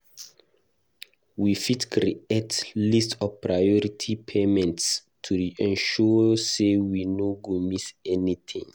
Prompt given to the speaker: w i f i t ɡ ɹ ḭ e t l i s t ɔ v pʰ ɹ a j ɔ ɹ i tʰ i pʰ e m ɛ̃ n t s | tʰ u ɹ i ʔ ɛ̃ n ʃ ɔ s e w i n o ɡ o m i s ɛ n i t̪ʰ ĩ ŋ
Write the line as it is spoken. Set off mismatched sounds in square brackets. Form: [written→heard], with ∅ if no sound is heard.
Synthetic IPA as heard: w i f i t [ɡ→k] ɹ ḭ e t l i s t ɔ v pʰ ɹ a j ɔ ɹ i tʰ i pʰ e m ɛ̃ n t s | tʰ u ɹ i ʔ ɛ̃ n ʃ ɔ s e w i n o ɡ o m i s ɛ n i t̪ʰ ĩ ŋ